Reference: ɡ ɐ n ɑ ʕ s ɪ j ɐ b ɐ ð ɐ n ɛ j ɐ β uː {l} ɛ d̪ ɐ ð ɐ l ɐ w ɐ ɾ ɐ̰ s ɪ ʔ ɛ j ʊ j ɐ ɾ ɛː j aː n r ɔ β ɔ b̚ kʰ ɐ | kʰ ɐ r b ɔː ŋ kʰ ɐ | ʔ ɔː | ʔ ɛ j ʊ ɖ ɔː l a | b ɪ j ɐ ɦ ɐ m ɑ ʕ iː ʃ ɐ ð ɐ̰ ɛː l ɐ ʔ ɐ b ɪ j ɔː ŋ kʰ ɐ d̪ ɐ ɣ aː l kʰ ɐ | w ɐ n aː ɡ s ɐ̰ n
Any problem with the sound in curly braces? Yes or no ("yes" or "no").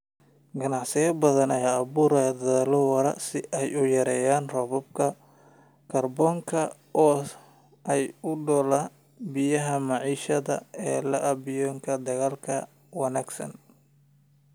yes